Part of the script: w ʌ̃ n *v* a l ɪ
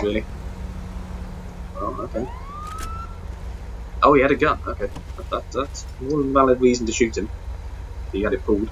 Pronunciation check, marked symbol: correct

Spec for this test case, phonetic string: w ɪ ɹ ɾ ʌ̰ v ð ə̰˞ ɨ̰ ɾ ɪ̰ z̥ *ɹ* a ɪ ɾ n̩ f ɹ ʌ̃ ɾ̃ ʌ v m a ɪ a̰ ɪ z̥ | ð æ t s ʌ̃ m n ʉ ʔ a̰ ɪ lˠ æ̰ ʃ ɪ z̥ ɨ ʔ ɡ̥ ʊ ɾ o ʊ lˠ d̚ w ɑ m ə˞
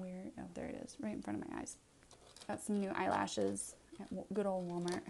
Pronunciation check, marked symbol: correct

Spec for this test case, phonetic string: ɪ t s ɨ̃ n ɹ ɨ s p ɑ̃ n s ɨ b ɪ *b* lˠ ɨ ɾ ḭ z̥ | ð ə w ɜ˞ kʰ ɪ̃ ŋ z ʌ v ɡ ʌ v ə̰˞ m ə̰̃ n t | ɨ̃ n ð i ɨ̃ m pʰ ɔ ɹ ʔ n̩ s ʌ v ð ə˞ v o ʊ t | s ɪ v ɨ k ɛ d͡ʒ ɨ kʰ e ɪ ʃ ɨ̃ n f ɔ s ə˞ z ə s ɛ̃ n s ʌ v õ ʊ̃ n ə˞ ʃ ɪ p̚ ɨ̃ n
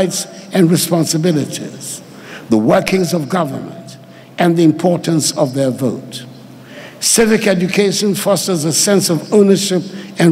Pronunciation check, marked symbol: incorrect: none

